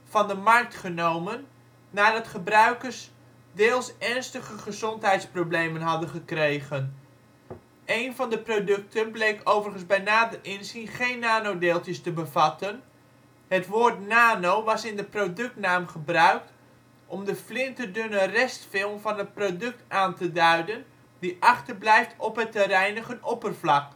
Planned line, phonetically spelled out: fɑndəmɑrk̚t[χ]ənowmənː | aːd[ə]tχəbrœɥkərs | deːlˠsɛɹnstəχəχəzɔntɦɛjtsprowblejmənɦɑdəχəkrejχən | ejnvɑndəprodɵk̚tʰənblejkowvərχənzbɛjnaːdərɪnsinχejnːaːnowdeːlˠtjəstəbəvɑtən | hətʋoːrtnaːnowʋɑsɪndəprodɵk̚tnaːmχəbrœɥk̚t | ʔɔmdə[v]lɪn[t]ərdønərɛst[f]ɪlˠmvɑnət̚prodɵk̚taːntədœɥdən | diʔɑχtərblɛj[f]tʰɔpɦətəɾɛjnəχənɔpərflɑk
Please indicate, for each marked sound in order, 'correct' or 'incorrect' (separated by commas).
correct, incorrect, incorrect, correct, correct, correct